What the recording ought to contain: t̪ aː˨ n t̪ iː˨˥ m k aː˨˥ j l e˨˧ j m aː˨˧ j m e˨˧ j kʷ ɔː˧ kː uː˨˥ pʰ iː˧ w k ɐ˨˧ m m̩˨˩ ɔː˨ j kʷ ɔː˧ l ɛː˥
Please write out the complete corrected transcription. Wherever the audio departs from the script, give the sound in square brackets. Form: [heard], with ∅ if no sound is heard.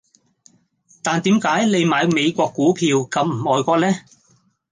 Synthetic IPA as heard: t̪ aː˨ n t̪ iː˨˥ m k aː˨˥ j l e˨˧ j m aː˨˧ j m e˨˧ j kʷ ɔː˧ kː uː˨˥ pʰ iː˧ w k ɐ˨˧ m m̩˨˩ ɔː˨ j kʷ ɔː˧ l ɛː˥